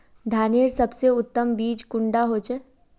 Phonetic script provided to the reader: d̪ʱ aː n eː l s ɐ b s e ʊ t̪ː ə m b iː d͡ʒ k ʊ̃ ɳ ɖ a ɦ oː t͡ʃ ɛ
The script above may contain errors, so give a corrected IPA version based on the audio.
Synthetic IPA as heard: d̪ʱ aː n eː ɾ s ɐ b s e ʊ t̪ː ə m b iː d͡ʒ k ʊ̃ ɳ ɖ a ɦ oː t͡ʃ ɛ